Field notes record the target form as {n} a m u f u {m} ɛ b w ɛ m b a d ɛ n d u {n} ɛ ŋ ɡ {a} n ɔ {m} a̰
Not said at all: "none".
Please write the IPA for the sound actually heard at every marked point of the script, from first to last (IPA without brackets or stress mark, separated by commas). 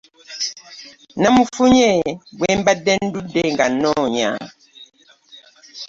n, ɲ, d, a, ɲ